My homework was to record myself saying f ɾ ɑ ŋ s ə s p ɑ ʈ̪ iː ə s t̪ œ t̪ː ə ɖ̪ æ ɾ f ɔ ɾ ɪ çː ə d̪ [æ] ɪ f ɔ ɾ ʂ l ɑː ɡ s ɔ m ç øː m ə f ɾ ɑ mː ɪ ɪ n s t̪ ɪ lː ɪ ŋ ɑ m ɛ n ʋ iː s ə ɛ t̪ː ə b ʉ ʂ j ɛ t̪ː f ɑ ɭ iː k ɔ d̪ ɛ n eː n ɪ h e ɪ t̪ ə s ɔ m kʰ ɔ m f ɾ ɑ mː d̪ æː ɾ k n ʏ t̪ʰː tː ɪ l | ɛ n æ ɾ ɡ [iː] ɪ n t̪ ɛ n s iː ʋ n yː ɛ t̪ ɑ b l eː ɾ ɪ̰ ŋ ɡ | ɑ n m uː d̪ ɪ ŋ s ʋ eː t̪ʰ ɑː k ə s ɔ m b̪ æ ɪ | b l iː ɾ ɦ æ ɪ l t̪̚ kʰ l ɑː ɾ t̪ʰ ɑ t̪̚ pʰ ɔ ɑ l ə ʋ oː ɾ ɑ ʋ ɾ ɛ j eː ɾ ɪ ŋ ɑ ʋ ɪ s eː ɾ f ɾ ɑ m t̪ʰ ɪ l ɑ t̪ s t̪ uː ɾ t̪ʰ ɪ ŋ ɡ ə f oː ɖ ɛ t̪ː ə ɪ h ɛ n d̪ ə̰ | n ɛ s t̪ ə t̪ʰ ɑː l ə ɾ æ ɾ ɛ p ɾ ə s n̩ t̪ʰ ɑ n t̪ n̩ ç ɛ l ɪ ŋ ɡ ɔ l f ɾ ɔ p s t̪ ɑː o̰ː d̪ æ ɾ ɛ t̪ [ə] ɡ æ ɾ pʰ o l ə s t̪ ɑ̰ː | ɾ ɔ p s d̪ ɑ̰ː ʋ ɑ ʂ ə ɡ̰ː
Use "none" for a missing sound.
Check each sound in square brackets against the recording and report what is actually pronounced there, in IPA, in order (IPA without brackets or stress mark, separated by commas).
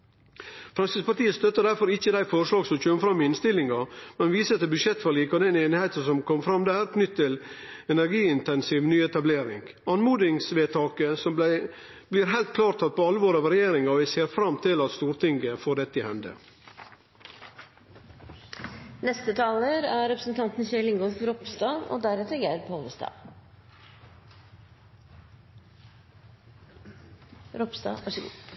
æ, iː, ə